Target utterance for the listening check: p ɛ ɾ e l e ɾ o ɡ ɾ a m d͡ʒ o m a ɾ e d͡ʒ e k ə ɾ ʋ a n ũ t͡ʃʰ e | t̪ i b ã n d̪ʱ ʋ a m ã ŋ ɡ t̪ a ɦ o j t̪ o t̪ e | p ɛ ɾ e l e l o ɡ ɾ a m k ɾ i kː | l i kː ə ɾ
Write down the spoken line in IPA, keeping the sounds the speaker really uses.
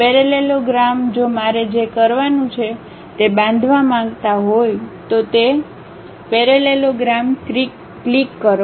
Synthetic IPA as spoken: p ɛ ɾ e l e l o ɡ ɾ a m d͡ʒ o m a ɾ e d͡ʒ e k ə ɾ ʋ a n ũ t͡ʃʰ e | t̪ e b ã n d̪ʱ ʋ a m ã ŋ ɡ t̪ a ɦ o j t̪ o t̪ e | p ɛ ɾ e l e l o ɡ ɾ a m k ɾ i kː | l i kː ə ɾ